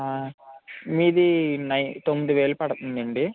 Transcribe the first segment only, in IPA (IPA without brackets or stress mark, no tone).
m